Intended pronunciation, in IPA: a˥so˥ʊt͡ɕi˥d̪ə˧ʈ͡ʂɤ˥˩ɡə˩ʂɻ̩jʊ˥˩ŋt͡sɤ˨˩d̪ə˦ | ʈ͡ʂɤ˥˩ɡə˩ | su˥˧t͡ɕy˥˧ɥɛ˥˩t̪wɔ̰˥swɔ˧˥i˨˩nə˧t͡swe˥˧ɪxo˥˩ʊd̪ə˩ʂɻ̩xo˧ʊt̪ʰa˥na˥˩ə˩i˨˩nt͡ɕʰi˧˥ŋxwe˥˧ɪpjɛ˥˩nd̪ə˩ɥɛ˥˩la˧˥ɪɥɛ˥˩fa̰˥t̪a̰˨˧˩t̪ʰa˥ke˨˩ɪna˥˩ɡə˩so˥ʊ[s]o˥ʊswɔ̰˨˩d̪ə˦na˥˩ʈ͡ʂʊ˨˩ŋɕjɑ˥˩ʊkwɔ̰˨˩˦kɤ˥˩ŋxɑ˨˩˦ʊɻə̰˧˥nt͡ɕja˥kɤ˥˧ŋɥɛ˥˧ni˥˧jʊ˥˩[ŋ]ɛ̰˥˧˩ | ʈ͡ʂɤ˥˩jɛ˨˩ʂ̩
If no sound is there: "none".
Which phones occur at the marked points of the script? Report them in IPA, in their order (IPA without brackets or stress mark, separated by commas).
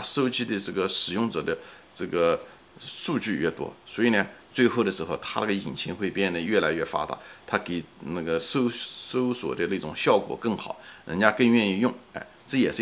s, ŋ